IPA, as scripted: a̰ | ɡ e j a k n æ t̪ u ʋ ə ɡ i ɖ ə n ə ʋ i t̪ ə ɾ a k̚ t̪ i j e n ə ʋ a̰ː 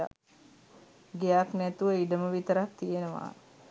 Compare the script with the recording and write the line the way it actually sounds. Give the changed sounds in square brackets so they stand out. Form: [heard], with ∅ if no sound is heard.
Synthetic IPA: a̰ | ɡ e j a k n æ t̪ u ʋ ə [∅] i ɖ ə [m] ə ʋ i t̪ ə ɾ a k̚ t̪ i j e n ə ʋ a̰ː